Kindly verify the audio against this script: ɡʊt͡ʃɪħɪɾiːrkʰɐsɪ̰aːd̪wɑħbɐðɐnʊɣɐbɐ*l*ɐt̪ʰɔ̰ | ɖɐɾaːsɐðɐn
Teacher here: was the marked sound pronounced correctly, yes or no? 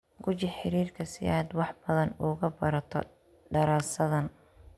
no